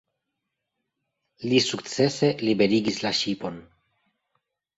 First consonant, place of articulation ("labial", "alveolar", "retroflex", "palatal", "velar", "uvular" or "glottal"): alveolar